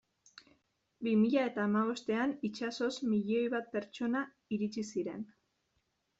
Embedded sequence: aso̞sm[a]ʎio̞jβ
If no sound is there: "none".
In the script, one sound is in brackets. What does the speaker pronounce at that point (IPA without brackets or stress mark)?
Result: i